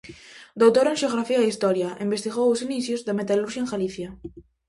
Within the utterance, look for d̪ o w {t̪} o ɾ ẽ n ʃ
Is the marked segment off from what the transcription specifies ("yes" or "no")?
no